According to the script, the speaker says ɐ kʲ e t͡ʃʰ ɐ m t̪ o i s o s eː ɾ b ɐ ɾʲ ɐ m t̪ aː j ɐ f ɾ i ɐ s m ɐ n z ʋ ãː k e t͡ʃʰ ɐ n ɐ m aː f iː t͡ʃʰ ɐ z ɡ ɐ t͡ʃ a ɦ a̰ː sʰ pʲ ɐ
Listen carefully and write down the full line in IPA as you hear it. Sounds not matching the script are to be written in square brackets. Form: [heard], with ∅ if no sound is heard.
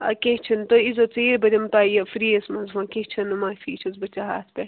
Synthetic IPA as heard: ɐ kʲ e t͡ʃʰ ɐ [n] t̪ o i [z] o [t͡s] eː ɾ b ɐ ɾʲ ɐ m t̪ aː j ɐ f ɾ i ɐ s m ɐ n z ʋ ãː k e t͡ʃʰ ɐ n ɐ m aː f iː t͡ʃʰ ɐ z [b] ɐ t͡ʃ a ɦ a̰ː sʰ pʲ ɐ